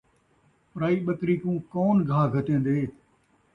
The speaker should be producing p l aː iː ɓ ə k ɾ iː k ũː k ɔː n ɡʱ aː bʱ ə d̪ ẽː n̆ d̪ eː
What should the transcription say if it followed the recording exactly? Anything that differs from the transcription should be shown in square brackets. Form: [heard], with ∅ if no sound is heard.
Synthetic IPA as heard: p [ɾ] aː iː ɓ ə k ɾ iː k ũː k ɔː n ɡʱ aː [ɡʱ] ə [t̪] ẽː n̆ d̪ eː